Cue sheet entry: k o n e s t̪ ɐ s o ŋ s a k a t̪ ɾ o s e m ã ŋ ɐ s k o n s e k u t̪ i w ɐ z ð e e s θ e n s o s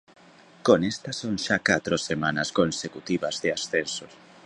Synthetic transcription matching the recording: k o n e s t̪ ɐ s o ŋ ʃ a k a t̪ ɾ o s e m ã n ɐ s k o n s e k u t̪ i β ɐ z ð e a s θ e n s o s